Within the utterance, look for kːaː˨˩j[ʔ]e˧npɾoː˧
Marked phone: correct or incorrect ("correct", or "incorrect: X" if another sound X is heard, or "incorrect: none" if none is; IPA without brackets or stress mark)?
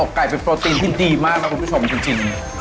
incorrect: p